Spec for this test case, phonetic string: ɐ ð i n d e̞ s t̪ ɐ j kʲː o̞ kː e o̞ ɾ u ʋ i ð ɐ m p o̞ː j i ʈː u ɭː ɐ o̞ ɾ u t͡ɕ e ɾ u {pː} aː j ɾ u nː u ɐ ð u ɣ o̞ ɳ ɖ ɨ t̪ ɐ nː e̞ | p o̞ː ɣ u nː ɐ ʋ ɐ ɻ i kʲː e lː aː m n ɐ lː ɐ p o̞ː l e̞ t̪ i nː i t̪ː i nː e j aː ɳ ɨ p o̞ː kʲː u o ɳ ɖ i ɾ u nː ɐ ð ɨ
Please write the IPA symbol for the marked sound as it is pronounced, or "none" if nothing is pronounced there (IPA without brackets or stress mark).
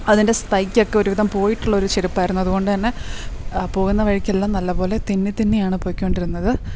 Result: pː